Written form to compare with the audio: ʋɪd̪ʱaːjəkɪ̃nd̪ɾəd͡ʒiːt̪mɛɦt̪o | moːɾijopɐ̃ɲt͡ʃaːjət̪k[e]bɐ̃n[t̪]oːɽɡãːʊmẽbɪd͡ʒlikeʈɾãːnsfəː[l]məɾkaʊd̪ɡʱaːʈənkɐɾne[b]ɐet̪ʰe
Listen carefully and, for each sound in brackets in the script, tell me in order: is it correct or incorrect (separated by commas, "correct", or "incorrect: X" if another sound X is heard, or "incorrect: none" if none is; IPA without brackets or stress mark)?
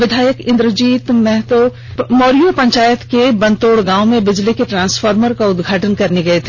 correct, correct, incorrect: ɾ, incorrect: ɡ